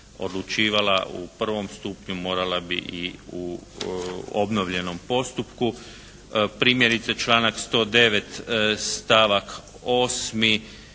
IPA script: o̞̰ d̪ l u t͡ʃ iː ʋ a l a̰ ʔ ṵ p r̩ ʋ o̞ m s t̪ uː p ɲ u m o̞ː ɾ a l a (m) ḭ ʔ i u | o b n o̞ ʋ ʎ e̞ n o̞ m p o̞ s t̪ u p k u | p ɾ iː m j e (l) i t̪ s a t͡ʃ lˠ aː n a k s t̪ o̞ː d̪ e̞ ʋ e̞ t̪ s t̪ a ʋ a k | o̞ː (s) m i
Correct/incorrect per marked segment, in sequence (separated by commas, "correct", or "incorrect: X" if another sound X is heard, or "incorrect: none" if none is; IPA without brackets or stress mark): incorrect: b, incorrect: ɾ, correct